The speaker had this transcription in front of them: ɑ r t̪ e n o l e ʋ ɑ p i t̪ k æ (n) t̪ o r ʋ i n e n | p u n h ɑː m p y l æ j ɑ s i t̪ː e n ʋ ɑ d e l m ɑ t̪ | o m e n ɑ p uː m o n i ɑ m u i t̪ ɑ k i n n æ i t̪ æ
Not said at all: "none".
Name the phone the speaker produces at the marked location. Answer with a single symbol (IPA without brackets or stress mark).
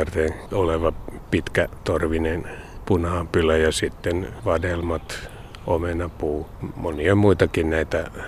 none